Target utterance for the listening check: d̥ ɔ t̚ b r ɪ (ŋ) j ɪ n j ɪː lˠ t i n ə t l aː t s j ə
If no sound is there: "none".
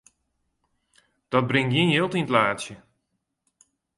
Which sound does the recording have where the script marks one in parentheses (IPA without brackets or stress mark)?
ŋ